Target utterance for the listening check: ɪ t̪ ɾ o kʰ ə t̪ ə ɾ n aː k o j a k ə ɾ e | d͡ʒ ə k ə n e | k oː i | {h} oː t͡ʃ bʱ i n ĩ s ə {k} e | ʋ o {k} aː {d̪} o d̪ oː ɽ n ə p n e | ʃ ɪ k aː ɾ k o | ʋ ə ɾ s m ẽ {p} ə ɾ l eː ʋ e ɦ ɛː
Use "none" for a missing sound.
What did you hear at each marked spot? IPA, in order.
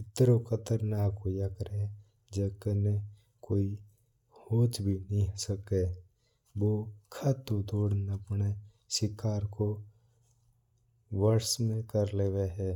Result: h, k, kʰ, t̪, k

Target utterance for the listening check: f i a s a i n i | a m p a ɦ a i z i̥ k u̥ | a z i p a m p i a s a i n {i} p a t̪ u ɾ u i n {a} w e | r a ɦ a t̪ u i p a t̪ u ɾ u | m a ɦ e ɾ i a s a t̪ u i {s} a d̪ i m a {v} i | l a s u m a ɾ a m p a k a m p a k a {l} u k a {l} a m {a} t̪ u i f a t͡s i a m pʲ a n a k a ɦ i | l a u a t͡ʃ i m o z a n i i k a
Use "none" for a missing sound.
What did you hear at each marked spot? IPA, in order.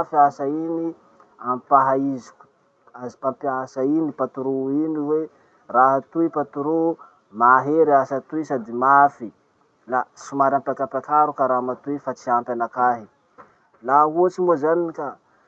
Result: i, i, s, f, ɾ, ɾ, a

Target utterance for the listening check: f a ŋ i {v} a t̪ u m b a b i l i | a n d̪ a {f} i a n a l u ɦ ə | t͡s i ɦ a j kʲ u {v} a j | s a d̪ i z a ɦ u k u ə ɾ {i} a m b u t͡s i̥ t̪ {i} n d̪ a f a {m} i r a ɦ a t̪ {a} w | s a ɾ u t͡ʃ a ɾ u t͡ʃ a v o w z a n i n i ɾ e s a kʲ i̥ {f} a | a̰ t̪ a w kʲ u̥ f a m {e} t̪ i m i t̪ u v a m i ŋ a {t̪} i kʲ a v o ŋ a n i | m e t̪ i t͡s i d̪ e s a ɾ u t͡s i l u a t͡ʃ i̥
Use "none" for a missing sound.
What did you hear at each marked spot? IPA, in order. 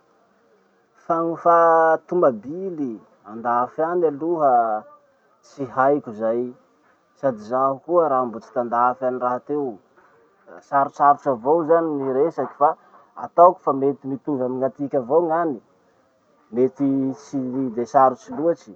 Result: f, f, z, a, a, n, e, f, e, t̪

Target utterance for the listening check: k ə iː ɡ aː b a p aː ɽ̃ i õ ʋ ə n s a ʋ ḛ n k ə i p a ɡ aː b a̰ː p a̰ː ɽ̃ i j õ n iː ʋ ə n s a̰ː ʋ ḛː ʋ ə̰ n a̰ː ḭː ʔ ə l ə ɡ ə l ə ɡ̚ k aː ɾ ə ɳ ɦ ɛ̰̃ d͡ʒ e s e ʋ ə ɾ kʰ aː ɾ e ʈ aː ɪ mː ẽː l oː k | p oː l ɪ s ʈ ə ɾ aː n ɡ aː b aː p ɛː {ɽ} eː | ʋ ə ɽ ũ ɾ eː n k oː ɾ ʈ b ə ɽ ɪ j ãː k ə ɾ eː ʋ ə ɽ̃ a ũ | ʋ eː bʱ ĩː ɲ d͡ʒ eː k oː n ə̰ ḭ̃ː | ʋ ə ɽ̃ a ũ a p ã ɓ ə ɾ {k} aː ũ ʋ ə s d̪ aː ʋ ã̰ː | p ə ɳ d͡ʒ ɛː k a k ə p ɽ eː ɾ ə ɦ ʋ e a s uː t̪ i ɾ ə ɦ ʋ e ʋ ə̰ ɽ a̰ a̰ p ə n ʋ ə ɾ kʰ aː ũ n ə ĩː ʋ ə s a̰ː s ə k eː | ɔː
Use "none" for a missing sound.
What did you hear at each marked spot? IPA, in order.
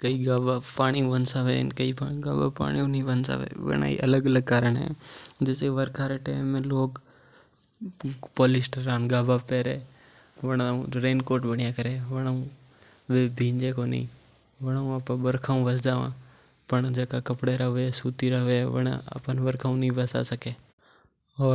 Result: ɾ, kʰ

